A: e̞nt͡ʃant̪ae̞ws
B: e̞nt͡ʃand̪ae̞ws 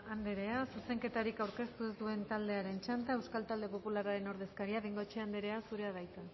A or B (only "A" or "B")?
A